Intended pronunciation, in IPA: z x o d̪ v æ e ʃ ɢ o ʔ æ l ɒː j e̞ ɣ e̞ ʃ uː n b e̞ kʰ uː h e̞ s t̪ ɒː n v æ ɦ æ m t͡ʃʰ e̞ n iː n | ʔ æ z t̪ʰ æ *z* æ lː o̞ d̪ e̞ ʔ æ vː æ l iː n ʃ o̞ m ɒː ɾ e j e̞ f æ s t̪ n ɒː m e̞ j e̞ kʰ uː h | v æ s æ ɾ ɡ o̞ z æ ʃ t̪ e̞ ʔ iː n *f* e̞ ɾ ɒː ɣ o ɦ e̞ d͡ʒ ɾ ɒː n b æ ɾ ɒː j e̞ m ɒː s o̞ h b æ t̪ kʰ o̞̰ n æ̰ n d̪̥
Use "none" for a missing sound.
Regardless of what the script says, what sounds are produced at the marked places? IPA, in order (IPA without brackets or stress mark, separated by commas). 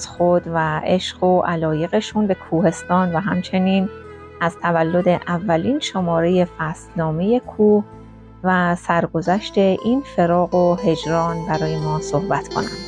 v, f